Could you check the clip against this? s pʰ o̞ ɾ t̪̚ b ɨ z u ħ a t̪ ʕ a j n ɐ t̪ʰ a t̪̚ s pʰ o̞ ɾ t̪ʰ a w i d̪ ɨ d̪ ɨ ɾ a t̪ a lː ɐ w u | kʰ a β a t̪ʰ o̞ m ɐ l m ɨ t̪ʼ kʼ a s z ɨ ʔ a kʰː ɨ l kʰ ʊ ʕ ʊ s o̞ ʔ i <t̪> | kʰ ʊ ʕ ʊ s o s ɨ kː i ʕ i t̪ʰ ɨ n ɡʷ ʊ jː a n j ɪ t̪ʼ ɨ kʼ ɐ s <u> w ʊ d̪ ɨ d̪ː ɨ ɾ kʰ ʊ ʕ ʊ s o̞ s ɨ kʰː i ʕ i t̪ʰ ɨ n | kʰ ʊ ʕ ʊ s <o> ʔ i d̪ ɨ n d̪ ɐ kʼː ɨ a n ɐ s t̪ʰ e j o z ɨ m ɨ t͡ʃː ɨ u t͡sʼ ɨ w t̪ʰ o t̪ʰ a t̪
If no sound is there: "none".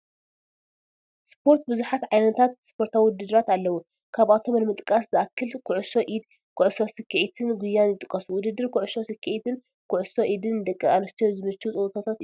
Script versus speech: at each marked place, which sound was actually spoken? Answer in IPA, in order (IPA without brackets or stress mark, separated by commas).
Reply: d̪, u, o